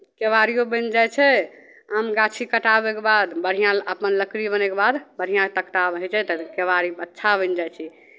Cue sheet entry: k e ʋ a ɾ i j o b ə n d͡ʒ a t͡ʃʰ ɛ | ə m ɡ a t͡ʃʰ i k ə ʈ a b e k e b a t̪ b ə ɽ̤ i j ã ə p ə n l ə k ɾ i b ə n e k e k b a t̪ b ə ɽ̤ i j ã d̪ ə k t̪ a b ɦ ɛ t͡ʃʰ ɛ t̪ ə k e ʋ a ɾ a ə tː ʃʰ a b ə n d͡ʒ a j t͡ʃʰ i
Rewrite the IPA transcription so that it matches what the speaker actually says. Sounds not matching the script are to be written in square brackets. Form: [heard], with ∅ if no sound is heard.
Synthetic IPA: k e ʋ a ɾ i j o b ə n d͡ʒ a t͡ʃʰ ɛ | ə m ɡ a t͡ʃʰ i k ə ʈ a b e k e b a [d̪] b ə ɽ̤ i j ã ə p ə n l ə k ɾ i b ə n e k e [∅] b a [d̪] b ə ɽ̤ i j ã [t̪] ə k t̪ a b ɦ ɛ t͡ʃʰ ɛ t̪ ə k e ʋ a ɾ [i] ə tː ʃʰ a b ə n d͡ʒ a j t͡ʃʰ i